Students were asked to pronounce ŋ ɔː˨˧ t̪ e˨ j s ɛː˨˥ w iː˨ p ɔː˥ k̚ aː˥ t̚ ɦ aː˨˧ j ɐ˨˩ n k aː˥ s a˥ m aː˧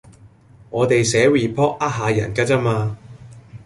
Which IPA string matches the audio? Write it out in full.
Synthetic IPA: ŋ ɔː˨˧ t̪ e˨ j s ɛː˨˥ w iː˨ pʰ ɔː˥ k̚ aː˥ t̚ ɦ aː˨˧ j ɐ˨˩ n k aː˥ t͡s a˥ m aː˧